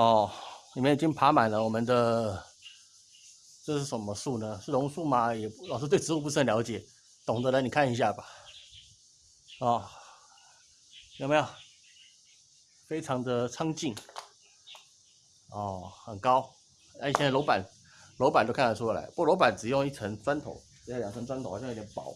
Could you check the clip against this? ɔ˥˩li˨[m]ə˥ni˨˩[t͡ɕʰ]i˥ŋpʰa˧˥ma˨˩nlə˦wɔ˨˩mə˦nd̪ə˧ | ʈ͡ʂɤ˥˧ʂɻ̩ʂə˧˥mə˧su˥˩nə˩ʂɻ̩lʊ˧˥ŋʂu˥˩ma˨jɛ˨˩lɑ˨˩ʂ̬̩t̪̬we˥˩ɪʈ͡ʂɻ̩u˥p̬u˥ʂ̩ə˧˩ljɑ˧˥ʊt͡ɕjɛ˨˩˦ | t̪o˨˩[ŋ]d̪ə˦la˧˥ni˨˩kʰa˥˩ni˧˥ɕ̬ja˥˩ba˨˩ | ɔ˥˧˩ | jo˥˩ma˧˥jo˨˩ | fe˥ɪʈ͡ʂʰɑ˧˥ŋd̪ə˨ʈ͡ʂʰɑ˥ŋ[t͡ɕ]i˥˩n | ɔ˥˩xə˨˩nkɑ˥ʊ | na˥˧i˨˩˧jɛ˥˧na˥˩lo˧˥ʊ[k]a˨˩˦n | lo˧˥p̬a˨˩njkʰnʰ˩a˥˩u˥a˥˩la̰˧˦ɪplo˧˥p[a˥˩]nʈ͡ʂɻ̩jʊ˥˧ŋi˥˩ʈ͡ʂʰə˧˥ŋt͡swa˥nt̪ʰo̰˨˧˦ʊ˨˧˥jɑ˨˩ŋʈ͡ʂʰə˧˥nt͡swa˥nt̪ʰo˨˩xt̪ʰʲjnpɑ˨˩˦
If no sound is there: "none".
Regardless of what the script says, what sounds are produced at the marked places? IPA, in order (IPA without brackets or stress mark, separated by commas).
m, t͡ɕ, ŋ, t͡ɕ, p, a˨˩